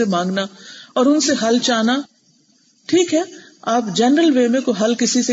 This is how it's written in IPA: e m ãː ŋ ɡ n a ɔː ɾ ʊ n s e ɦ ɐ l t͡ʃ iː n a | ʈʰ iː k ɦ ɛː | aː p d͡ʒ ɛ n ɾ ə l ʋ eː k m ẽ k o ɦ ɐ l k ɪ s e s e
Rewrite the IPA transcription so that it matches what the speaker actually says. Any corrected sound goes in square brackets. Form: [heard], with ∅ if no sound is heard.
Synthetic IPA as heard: e m ãː ŋ ɡ n a ɔː ɾ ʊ n s e ɦ ɐ l t͡ʃ [aː] n a | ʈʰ iː k ɦ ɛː | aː p d͡ʒ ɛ n ɾ ə l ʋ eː [∅] m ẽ k o ɦ ɐ l k ɪ s [i] s e